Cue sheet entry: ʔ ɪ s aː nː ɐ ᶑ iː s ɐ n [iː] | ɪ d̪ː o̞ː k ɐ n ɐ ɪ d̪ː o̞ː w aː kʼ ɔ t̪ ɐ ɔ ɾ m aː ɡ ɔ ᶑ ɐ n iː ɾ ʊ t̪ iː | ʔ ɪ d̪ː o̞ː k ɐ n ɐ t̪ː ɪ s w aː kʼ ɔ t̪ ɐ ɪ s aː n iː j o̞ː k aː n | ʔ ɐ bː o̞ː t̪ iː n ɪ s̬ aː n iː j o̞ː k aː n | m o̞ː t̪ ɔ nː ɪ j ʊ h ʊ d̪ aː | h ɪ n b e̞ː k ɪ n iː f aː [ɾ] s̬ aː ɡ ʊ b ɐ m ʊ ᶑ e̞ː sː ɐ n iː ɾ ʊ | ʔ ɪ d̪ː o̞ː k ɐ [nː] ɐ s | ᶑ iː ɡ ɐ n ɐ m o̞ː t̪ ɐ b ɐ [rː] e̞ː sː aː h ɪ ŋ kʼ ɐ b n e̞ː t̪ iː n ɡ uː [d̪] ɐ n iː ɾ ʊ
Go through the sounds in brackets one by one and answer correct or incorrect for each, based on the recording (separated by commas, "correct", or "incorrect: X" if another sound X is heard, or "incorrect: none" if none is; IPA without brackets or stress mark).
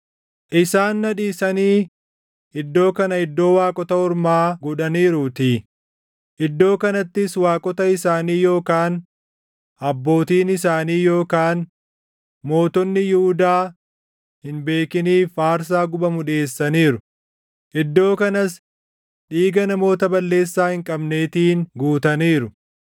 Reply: correct, correct, incorrect: n, incorrect: lː, incorrect: t̪